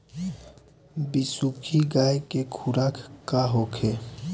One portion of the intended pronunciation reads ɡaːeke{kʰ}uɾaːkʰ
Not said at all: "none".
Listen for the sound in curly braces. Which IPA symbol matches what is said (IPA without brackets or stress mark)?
kʰ